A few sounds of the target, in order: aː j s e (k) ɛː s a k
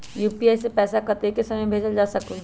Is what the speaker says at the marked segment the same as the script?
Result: no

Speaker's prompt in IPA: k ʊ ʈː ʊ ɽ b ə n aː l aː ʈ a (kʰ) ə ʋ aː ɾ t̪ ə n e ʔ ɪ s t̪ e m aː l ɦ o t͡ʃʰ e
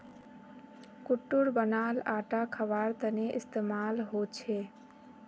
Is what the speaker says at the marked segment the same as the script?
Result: yes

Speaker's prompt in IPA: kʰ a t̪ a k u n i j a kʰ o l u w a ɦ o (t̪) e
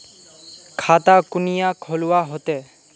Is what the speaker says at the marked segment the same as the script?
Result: yes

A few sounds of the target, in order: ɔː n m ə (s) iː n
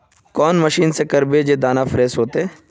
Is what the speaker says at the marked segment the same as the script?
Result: no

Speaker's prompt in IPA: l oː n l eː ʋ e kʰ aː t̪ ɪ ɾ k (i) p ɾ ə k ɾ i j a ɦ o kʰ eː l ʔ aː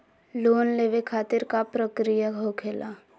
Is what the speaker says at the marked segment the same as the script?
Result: no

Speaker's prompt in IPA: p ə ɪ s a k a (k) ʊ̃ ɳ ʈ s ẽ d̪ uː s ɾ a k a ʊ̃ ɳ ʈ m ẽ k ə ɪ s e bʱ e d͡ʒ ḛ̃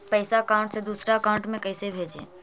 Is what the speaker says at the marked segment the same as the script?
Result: no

